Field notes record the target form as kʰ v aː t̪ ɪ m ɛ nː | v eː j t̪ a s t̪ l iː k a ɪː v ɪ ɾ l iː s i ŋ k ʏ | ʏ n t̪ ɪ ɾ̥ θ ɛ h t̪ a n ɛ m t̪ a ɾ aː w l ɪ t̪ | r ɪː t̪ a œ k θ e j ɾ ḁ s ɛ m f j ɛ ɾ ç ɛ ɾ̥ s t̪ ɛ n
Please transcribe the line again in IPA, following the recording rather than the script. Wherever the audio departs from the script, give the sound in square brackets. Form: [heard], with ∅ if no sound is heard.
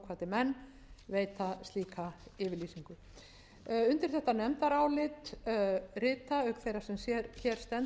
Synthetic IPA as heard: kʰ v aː t̪ ɪ m ɛ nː | v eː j t̪ a s t̪ l iː k a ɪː v ɪ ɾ l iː s i ŋ k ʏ | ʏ n t̪ ɪ ɾ̥ θ ɛ h t̪ a n ɛ m t̪ a ɾ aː w l ɪ t̪ | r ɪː t̪ a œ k θ e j ɾ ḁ s ɛ m [s] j ɛ ɾ ç ɛ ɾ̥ s t̪ ɛ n